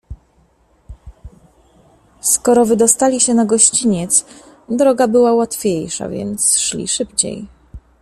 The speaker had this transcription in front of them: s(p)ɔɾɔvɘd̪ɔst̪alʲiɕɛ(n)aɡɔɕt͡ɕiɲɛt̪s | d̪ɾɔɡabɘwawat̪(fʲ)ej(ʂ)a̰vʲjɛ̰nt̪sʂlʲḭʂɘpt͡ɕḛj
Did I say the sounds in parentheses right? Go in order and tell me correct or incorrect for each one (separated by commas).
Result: incorrect, correct, correct, correct